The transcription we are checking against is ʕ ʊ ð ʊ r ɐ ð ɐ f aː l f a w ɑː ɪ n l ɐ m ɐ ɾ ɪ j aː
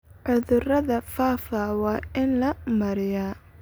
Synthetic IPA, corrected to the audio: ʕ ʊ ð ʊ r ɐ ð ɐ f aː f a w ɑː ɪ n l ɐ m ɐ ɾ ɪ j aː